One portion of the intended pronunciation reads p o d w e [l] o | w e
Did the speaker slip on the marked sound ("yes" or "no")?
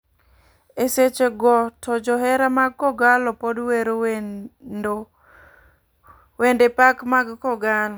yes